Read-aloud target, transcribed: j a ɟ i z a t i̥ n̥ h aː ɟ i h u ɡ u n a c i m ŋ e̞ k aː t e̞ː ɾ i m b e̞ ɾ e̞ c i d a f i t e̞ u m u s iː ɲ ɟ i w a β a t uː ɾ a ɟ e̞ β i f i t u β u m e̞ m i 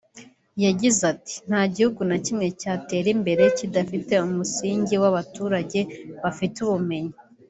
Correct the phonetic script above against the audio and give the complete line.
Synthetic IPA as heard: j a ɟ i z a t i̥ n̥ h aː ɟ i h u ɡ u n a c i m ŋ e̞ c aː t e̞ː ɾ i m b e̞ ɾ e̞ c i d a f i t e̞ u m u s iː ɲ ɟ i w a β a t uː ɾ a ɟ e̞ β a f i t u β u m e̞ ɲ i